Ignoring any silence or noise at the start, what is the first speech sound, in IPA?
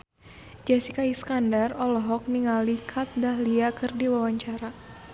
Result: d͡ʒ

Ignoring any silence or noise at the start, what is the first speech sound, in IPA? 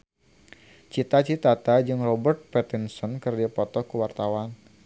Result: t͡ʃ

